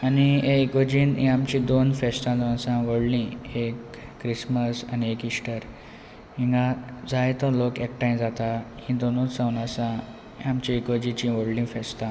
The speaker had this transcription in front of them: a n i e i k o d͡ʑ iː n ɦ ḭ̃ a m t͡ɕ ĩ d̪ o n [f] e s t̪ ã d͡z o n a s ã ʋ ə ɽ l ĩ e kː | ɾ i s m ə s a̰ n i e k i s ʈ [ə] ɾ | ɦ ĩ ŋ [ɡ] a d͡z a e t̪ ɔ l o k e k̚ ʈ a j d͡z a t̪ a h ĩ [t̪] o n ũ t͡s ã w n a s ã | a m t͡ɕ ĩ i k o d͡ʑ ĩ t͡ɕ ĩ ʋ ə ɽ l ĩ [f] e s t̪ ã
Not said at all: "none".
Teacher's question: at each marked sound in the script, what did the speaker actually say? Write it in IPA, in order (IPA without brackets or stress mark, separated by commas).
f, ə, ɡ, d̪, f